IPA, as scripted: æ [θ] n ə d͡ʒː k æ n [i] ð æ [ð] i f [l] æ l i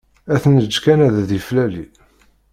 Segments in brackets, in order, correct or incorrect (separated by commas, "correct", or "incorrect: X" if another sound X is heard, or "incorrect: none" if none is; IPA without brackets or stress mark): correct, incorrect: æ, correct, correct